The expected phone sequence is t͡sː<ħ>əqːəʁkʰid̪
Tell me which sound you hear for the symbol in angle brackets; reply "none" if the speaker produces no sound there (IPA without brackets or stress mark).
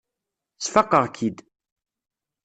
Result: f